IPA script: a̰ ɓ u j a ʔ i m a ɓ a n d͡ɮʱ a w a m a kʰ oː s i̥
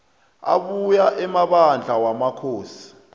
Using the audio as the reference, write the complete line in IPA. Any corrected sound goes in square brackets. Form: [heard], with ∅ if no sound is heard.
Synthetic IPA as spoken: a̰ ɓ u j a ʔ [ɛ] m a ɓ a n d͡ɮʱ a w a m a kʰ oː s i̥